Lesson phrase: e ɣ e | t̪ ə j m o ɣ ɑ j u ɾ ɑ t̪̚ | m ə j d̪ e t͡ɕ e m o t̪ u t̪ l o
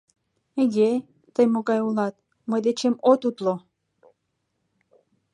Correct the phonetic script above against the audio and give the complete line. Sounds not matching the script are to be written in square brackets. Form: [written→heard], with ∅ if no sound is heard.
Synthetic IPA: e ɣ e | t̪ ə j m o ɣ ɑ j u [ɾ→l] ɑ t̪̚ | m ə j d̪ e t͡ɕ e m o t̪ u t̪ l o